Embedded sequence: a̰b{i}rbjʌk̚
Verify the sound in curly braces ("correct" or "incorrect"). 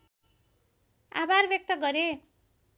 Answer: incorrect